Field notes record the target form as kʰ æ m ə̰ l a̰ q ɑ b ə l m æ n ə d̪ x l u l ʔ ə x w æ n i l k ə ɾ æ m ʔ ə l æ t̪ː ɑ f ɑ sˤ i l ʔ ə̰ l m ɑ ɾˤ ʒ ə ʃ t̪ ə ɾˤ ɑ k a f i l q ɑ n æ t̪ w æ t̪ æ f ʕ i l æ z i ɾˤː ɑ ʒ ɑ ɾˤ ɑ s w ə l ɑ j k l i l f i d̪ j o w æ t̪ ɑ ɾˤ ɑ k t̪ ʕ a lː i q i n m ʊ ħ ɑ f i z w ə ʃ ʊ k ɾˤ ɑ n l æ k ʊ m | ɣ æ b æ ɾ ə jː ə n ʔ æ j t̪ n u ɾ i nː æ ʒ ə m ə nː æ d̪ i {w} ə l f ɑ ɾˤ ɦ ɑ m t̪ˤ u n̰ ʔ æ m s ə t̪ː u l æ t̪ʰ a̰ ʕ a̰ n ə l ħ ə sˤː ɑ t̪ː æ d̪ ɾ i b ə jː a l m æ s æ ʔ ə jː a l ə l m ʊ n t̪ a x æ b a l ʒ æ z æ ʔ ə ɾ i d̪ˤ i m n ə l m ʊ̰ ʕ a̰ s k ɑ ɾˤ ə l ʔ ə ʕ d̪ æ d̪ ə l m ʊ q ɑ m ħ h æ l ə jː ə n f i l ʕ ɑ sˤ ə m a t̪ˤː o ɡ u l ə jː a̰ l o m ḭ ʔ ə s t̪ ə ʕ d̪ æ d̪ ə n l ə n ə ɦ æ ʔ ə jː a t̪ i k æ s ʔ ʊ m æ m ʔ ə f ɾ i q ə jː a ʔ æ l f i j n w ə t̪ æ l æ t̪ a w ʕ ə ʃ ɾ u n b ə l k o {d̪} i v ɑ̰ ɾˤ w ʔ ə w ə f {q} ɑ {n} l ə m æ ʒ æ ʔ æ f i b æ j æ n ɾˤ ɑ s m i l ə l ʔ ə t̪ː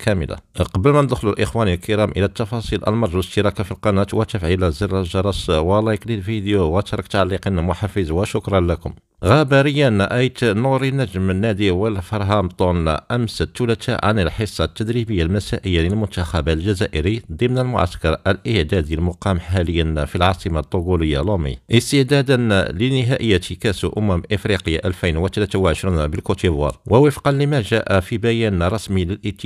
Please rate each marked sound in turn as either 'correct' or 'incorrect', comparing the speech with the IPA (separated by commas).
correct, incorrect, correct, correct